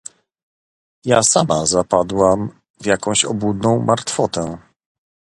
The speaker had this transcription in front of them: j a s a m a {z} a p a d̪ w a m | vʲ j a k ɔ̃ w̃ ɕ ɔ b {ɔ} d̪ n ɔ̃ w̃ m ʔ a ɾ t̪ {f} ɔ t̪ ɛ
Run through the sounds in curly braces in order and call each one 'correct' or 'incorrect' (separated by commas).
correct, incorrect, correct